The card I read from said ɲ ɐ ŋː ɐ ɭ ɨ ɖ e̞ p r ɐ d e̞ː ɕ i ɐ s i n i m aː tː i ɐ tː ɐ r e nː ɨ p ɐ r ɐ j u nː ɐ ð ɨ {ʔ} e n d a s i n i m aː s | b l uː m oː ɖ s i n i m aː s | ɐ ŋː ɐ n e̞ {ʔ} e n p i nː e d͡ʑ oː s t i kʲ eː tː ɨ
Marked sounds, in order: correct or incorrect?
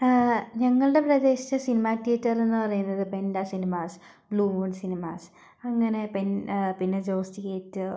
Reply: incorrect: p, incorrect: p

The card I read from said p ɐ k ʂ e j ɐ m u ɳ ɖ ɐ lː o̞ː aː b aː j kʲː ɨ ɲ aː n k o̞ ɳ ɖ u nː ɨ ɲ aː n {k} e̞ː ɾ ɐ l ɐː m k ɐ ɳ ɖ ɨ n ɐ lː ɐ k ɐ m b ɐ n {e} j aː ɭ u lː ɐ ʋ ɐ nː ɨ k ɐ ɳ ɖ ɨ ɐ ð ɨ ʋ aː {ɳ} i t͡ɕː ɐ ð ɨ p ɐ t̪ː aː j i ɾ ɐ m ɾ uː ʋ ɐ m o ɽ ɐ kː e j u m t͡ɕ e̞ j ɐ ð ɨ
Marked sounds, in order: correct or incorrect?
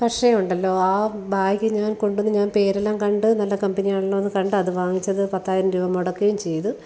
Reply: incorrect: p, incorrect: i, incorrect: ŋ

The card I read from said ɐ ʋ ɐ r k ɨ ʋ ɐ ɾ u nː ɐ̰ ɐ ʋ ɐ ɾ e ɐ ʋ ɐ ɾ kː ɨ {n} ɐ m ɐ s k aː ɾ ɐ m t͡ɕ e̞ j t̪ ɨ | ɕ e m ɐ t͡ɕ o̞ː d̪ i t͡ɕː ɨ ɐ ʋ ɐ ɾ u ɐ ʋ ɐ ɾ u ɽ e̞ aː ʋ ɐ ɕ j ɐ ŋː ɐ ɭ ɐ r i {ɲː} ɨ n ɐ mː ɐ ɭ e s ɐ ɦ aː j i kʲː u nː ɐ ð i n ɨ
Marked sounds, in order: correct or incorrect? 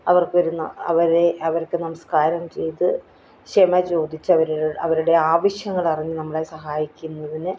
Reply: correct, correct

